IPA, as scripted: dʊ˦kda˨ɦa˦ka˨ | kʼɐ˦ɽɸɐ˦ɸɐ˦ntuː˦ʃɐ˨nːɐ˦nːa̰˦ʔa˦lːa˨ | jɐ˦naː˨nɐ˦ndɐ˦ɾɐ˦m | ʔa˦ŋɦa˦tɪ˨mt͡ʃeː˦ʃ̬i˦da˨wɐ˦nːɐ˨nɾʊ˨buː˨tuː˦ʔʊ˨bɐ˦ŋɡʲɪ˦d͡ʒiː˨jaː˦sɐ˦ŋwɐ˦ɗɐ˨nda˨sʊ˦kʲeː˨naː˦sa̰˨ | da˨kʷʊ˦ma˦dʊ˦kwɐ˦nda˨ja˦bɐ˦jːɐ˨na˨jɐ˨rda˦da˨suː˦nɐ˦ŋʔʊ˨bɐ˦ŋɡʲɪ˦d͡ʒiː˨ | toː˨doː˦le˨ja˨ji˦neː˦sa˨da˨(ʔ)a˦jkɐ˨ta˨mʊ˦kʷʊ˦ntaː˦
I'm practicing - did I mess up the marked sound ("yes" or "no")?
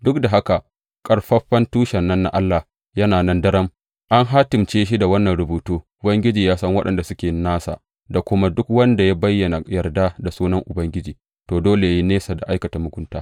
no